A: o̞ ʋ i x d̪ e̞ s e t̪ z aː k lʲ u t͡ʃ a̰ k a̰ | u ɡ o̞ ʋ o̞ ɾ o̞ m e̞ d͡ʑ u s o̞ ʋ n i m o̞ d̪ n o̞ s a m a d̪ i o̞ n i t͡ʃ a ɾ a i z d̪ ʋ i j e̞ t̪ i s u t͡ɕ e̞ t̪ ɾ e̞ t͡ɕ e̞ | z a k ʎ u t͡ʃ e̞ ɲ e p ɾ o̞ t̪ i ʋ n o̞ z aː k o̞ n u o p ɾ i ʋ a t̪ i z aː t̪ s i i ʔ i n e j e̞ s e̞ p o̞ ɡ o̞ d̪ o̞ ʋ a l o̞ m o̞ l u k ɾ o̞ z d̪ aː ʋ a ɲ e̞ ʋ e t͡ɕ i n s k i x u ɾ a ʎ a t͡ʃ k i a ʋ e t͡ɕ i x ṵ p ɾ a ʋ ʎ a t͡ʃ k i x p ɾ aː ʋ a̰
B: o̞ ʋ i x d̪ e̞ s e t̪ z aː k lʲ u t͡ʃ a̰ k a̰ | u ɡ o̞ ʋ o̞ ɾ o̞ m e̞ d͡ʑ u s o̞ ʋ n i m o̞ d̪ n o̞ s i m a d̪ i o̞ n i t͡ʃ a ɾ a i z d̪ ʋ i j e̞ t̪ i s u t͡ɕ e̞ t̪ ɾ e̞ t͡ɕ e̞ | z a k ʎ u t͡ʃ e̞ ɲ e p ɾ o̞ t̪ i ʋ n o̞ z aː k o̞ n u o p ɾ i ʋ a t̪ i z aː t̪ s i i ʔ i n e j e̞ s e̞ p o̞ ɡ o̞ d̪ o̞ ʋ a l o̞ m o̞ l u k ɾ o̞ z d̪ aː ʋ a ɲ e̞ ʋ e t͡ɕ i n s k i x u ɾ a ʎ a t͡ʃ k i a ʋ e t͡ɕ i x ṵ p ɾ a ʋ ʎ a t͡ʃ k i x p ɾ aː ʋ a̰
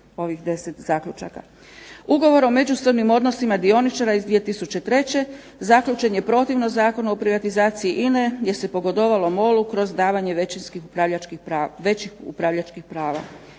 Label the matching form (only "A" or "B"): B